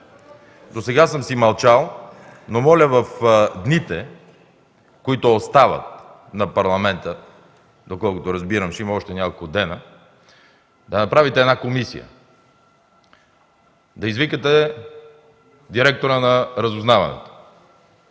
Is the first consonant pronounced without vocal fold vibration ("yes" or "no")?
no